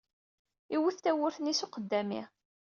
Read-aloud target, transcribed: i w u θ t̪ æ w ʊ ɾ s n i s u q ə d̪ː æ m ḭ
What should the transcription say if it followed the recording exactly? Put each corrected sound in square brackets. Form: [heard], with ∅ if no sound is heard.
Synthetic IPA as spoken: i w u θ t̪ æ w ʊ ɾ [θ] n i s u q ə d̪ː æ m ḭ